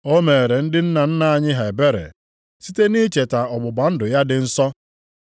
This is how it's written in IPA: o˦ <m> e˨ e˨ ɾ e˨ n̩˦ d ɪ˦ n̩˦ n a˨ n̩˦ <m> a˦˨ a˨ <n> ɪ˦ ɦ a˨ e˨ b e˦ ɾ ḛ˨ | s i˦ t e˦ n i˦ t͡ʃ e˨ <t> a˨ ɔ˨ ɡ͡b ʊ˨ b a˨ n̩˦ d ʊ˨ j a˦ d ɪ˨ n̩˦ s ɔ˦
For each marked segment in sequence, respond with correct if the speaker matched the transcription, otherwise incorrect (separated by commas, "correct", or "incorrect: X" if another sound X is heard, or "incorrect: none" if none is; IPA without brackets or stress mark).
correct, incorrect: n, incorrect: ɲ, correct